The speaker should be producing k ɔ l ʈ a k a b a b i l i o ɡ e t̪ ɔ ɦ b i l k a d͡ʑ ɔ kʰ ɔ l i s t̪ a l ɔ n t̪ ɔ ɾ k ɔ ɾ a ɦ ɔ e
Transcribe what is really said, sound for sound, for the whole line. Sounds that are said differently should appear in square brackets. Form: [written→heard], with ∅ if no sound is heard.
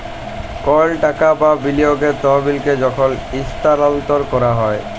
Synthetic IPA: k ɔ l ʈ a k a b a b i l i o ɡ e t̪ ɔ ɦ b i l k [a→e] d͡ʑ ɔ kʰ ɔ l i s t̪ a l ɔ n t̪ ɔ ɾ k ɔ ɾ a ɦ ɔ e